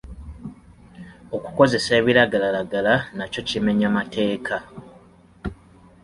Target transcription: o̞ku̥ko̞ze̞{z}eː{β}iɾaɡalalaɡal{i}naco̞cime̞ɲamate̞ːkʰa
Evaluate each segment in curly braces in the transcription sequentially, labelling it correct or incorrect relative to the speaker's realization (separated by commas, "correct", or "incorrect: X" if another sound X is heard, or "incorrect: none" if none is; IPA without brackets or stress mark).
incorrect: s, correct, incorrect: a